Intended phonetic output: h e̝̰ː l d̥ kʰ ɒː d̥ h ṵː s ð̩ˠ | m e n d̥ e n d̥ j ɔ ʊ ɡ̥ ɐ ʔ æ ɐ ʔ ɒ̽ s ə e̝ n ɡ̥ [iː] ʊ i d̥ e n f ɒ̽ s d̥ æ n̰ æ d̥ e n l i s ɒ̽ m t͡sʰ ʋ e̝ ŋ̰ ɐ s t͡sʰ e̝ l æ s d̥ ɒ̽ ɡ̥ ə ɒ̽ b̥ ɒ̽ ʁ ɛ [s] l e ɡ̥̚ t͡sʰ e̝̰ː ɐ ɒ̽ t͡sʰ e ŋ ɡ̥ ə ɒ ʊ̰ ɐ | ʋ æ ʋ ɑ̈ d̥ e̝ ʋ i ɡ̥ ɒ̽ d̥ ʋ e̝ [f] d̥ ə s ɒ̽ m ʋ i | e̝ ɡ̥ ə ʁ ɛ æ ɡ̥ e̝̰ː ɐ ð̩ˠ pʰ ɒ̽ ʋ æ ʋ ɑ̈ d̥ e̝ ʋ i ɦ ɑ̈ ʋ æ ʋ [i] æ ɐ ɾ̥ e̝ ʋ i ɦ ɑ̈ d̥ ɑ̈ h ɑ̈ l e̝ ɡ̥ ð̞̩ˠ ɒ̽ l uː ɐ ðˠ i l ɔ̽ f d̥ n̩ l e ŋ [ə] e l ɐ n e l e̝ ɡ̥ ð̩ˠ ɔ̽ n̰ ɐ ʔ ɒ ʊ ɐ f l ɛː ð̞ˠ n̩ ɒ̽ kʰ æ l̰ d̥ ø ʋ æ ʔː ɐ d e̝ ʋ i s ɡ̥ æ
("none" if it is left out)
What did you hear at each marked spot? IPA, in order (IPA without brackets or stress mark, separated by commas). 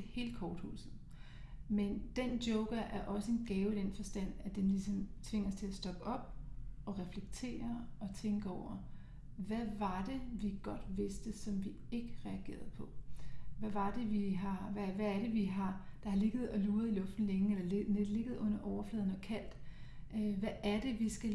ɛː, f, s, æ, ə